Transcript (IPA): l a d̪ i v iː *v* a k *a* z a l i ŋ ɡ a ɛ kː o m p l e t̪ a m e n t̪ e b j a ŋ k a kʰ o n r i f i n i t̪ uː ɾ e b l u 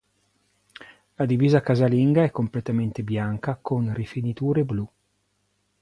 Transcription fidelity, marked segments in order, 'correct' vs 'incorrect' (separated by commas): incorrect, correct